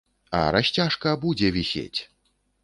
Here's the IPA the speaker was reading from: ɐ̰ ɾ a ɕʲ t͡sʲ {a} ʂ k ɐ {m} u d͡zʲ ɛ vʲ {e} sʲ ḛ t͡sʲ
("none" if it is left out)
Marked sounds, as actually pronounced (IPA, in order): a, b, i

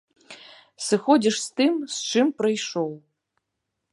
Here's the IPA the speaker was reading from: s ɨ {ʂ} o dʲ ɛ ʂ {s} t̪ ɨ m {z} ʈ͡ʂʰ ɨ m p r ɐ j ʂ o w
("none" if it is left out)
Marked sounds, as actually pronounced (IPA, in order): x, s, s

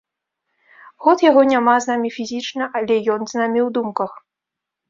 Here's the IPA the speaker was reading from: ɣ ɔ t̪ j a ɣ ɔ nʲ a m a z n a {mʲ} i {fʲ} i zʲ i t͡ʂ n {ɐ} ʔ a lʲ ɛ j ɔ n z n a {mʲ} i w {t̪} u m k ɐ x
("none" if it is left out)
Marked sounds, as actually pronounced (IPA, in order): mʲ, fʲ, ɐ, mʲ, d̪

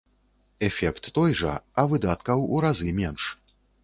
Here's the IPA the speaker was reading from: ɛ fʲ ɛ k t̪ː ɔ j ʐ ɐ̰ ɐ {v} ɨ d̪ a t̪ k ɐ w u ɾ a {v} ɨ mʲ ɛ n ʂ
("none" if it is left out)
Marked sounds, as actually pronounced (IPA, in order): v, z

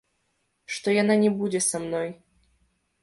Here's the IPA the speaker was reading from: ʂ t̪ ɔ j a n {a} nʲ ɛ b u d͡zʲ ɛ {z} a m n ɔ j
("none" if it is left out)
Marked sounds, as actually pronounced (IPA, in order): a, s

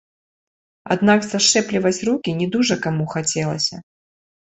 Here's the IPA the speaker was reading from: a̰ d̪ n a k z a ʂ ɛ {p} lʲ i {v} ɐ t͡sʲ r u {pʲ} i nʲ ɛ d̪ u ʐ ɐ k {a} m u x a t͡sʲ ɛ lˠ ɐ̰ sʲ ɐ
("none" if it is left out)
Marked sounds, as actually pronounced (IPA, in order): p, v, kʲ, a

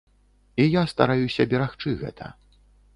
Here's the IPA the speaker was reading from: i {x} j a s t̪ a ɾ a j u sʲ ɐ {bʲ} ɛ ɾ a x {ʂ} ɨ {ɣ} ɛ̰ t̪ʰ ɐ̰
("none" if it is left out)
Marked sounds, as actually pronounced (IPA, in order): none, bʲ, t͡ʂ, ɣ

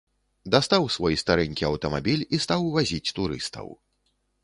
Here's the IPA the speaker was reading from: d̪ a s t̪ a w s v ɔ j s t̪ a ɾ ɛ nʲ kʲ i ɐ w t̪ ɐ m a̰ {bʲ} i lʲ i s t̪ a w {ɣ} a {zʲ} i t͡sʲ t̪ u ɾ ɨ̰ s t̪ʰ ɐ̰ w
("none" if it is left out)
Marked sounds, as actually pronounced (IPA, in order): bʲ, v, zʲ

